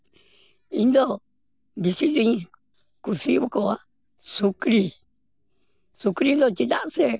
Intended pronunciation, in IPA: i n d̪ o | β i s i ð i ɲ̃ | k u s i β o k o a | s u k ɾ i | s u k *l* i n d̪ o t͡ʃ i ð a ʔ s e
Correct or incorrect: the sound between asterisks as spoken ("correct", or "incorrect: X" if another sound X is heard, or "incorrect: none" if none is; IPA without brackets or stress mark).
incorrect: ɾ